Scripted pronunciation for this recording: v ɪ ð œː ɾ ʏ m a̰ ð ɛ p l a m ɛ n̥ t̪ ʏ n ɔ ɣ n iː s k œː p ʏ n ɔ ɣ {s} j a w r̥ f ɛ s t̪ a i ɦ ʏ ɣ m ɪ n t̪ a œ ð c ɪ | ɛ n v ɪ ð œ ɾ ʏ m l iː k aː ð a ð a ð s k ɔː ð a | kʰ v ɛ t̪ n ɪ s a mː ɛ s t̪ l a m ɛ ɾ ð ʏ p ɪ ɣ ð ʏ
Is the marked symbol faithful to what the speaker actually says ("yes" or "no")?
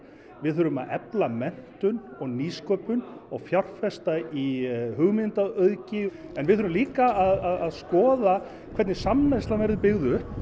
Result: no